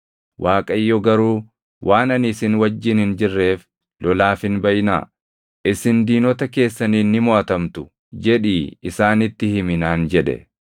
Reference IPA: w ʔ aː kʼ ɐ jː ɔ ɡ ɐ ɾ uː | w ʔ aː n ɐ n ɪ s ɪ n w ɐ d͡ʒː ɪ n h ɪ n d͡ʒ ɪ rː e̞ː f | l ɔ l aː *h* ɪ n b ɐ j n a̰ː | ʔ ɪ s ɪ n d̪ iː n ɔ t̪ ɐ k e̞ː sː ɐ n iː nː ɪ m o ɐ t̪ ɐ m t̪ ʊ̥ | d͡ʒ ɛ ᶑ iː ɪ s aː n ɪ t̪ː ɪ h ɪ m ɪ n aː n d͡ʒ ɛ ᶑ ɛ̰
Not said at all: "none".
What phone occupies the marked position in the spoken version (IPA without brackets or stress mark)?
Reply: f